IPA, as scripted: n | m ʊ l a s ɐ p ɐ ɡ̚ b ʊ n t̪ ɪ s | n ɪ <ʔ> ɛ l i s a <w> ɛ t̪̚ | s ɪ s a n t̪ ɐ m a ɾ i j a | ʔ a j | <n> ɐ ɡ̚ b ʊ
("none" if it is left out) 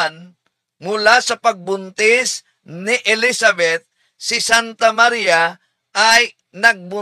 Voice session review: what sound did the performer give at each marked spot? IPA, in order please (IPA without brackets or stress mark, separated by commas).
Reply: ʔ, b, n